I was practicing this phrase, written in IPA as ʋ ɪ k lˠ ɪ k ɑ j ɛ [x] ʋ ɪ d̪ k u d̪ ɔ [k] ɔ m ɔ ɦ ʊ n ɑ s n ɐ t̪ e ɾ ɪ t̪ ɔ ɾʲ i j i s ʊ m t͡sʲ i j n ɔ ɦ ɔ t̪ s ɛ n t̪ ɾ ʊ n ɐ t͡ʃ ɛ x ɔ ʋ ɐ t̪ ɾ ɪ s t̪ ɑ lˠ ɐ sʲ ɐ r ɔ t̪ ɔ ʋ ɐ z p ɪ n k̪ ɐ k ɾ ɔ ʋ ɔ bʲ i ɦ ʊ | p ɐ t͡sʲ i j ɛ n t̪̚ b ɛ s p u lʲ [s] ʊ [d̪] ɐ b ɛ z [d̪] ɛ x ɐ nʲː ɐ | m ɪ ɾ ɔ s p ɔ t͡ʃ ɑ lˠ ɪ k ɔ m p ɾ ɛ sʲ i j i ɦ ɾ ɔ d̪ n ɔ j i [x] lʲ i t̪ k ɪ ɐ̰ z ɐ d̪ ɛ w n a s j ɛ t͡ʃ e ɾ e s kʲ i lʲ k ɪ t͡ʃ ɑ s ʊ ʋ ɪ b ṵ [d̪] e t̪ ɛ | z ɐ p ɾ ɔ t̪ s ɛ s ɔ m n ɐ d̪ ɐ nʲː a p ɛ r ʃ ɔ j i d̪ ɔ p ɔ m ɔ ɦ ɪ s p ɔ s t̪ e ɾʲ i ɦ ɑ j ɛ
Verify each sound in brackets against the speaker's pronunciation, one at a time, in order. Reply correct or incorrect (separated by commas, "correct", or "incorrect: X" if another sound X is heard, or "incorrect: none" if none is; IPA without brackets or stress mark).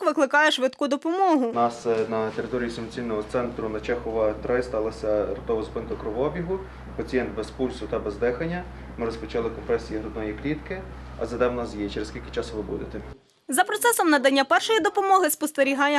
incorrect: ʃ, incorrect: p, correct, incorrect: t̪, correct, incorrect: k, correct